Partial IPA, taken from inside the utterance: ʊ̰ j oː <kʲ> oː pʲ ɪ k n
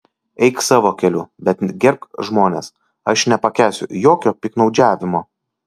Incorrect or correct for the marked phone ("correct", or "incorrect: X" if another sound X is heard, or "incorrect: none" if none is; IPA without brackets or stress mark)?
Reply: correct